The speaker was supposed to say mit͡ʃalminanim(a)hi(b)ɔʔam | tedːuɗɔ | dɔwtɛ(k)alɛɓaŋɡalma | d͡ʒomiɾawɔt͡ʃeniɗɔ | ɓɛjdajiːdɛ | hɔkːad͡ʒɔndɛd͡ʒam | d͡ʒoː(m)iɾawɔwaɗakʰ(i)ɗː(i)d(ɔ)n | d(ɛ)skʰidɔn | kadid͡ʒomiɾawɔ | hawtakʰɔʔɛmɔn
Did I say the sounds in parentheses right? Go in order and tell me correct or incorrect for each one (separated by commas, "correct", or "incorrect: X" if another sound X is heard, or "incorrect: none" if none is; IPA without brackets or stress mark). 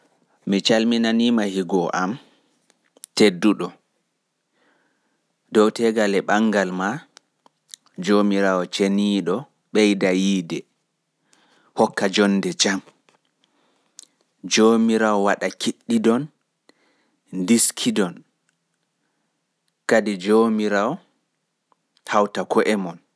correct, incorrect: ɡ, incorrect: ɡ, correct, correct, correct, correct, incorrect: i